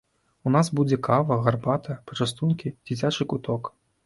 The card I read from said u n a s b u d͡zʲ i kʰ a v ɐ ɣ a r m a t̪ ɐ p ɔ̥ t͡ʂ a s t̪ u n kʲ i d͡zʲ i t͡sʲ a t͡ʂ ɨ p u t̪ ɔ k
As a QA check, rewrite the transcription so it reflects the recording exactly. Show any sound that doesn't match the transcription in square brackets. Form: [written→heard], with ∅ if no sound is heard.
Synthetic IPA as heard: u n a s b u d͡zʲ [i→ɛ] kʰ a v ɐ ɣ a r [m→b] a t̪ ɐ p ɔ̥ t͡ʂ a s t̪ u n kʲ i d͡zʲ i t͡sʲ a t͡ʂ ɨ [p→k] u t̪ ɔ k